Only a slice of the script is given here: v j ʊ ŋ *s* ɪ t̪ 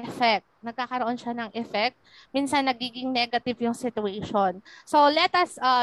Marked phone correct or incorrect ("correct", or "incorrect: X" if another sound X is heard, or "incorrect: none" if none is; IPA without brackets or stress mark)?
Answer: correct